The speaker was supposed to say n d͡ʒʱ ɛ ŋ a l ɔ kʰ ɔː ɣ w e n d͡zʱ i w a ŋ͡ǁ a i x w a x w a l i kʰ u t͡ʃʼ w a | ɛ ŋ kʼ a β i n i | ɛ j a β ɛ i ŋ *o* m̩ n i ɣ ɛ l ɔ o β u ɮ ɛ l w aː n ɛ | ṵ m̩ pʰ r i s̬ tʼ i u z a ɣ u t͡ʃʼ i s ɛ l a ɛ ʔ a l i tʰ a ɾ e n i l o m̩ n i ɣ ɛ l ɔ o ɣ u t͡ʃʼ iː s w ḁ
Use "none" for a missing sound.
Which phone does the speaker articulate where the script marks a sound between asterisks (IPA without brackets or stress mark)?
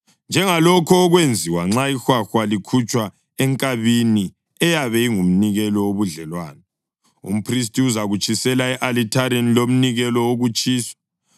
u